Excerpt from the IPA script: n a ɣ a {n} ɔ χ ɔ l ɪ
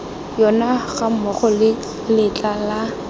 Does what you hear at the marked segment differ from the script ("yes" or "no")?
yes